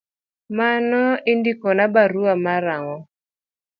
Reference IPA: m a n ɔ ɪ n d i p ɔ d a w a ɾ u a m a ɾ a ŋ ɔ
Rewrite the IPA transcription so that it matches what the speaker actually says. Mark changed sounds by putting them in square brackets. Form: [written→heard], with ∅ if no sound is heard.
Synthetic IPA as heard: m a n ɔ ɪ n d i [p→k] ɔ [d→n] a [w→b] a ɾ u a m a ɾ a ŋ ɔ